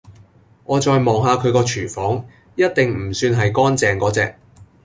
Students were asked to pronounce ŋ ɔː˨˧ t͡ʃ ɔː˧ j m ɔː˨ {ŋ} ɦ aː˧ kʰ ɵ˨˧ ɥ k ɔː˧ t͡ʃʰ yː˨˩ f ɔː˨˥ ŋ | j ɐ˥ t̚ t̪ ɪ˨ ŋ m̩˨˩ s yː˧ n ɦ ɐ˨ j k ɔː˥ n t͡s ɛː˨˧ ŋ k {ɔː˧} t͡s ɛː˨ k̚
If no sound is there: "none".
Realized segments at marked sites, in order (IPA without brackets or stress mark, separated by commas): ŋ, ɔː˨˥